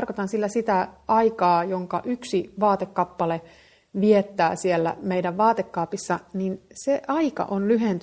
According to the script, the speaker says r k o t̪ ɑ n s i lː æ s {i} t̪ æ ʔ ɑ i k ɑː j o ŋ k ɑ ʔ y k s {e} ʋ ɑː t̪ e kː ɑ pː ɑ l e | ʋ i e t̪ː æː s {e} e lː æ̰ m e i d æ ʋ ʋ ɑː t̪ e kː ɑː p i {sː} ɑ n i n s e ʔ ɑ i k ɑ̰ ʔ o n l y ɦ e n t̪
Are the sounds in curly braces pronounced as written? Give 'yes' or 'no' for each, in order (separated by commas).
yes, no, no, yes